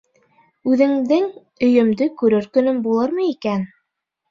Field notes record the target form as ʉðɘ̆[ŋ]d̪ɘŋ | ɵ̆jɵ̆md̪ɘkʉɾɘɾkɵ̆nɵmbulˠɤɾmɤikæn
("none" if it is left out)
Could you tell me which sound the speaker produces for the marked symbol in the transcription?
ŋ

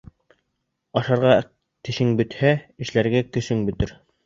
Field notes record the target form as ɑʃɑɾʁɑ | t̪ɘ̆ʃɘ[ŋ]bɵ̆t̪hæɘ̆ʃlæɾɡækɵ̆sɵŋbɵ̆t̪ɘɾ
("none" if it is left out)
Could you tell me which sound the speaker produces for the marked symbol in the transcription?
ŋ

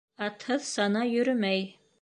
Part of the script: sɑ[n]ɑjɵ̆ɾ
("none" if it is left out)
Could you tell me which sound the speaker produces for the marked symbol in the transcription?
n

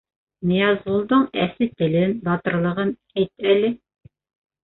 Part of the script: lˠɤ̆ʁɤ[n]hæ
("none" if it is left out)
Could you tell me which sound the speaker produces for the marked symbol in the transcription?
n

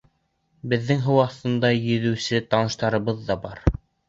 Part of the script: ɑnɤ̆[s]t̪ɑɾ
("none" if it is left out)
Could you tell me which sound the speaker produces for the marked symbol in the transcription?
ʃ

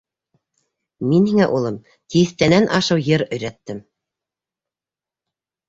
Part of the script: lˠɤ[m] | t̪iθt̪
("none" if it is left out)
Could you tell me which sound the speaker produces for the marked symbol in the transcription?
m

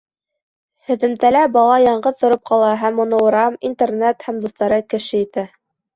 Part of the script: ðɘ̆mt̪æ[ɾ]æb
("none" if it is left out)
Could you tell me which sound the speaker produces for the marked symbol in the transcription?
l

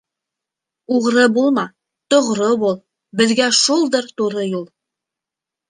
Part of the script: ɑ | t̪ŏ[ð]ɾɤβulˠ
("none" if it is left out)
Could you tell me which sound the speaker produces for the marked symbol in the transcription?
ʁ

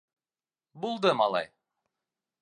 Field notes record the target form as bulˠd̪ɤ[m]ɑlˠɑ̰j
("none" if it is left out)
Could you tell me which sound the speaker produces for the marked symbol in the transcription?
m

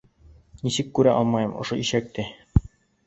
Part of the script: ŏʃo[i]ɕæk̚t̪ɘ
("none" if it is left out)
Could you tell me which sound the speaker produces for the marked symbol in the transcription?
i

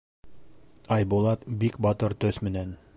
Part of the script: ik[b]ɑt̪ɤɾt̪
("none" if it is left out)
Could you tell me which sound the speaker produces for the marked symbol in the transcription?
b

